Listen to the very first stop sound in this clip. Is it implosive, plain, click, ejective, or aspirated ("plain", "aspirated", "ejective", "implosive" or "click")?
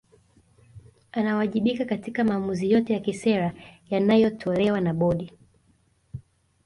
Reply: implosive